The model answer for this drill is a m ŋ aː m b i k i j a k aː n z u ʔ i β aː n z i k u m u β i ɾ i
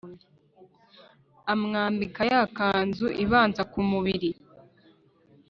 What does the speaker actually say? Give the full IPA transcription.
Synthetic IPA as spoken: a m ŋ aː m b i k a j a k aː n z u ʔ i β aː n z a k u m u β i ɾ i